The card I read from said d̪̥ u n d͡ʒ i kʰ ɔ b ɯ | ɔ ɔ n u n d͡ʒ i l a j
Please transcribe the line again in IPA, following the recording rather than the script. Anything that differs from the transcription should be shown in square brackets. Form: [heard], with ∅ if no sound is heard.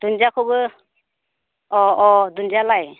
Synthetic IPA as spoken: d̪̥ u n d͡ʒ [a] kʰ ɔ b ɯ | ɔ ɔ [d] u n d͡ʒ [a] l a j